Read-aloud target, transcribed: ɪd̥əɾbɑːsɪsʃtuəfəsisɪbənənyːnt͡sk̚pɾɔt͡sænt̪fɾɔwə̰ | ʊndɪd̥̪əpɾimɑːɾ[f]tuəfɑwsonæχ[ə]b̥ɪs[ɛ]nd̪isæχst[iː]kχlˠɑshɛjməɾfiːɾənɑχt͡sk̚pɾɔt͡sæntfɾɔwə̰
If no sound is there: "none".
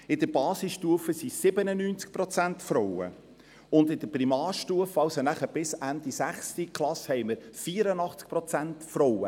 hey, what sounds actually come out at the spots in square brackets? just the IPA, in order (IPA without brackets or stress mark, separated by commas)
ʃ, ə, æ, i